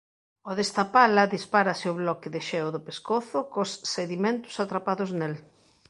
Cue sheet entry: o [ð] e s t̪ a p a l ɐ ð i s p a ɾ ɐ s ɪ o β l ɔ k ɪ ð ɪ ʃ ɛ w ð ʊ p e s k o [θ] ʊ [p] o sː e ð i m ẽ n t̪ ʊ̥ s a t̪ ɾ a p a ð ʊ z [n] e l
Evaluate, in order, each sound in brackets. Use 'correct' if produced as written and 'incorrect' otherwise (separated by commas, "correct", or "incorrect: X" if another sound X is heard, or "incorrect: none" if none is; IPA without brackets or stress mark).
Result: correct, correct, incorrect: k, correct